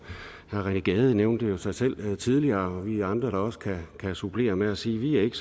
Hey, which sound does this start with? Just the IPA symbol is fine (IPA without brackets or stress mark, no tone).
h